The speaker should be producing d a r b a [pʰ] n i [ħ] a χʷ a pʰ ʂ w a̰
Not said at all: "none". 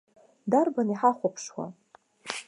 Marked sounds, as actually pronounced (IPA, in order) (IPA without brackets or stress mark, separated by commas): none, ħ